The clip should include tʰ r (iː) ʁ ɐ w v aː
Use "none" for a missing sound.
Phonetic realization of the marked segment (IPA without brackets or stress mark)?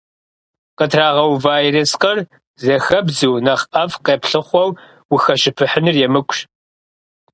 aː